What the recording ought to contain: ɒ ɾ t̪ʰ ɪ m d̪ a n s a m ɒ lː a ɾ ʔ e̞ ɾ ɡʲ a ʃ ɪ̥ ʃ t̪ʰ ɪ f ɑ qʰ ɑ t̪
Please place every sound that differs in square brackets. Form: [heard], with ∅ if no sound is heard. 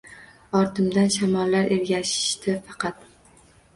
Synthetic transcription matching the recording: ɒ ɾ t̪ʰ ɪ m d̪ a n [ʃ] a m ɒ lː a ɾ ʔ e̞ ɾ ɡʲ a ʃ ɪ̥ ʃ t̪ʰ ɪ f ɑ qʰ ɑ t̪